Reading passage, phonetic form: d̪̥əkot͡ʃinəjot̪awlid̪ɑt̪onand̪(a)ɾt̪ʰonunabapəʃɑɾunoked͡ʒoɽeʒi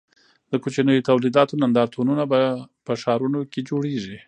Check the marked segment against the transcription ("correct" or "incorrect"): incorrect